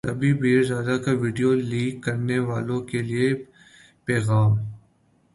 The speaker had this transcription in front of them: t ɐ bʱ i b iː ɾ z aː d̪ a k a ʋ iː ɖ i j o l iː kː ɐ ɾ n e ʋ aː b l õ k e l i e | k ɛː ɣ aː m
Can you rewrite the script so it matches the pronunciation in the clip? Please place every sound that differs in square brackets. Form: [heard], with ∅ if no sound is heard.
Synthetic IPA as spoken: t ɐ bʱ i b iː ɾ z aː d̪ a k a ʋ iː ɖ i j o l iː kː ɐ ɾ n e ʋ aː [∅] l õ k e l i e | [p] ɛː ɣ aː m